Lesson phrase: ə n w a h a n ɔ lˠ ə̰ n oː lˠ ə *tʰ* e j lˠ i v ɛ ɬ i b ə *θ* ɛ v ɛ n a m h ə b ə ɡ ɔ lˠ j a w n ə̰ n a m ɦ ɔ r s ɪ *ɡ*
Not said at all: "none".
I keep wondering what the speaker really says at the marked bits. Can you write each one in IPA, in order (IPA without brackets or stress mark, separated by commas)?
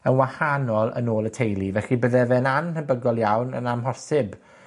tʰ, ð, b